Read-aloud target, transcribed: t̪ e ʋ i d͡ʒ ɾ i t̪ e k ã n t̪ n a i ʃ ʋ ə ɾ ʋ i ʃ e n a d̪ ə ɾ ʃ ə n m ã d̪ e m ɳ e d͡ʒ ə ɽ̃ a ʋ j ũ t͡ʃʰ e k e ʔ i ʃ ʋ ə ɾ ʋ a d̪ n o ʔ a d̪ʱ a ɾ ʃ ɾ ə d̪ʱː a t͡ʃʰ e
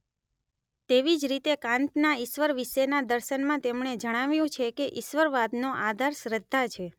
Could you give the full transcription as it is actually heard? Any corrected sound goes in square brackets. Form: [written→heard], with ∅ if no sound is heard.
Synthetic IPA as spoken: t̪ e ʋ i d͡ʒ ɾ i t̪ e k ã n t̪ n a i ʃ ʋ ə ɾ ʋ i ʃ e n a d̪ ə ɾ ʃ ə n m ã [d̪→t̪] e m ɳ e d͡ʒ ə ɽ̃ a ʋ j ũ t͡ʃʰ e k e ʔ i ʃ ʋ ə ɾ ʋ a d̪ n o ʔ a d̪ʱ a ɾ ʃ ɾ ə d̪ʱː a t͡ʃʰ e